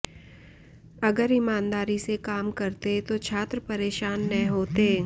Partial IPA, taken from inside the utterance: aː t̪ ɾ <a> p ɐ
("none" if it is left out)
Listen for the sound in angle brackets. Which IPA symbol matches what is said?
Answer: ə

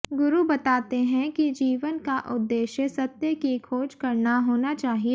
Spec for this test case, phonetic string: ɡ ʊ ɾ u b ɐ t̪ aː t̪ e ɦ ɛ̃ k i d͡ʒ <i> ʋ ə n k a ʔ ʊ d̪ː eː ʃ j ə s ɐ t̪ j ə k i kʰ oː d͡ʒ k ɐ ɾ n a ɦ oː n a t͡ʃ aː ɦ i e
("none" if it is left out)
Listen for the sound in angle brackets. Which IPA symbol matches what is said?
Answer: iː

